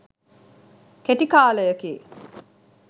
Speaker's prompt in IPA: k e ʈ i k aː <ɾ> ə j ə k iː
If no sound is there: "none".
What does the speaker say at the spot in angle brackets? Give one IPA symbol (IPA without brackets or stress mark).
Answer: l